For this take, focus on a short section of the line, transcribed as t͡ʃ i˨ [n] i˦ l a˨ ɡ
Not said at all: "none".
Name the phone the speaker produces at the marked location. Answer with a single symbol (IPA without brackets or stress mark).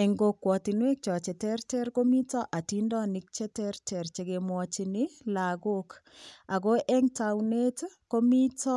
n